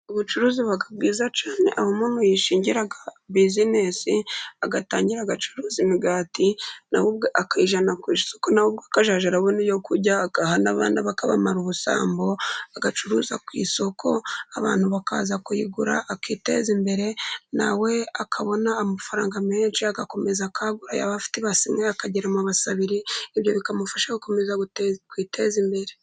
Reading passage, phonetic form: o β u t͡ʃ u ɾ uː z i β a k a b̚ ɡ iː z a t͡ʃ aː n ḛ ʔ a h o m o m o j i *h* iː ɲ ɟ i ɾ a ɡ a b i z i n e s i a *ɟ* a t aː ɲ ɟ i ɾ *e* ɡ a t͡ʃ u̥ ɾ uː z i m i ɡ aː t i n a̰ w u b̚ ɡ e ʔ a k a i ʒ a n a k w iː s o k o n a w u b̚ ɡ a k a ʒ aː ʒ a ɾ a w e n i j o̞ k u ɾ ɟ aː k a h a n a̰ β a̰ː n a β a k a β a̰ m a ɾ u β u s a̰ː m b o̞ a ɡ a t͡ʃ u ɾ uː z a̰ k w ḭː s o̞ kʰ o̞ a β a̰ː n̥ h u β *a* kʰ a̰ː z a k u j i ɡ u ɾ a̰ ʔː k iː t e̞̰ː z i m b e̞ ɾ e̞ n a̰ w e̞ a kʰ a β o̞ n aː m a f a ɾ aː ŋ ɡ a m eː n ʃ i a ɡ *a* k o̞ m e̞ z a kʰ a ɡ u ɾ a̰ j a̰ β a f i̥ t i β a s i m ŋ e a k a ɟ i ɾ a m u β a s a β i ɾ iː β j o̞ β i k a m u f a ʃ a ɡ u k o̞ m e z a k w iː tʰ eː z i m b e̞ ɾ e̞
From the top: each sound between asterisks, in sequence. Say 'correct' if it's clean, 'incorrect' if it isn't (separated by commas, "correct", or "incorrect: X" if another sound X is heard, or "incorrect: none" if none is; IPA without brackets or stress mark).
incorrect: ʃ, incorrect: ɡ, incorrect: a, correct, correct